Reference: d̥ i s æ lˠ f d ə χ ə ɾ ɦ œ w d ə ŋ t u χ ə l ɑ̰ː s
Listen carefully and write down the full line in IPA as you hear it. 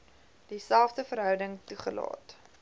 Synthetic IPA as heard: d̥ i s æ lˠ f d ə f ə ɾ ɦ œ w d ə ŋ t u χ ə l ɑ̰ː t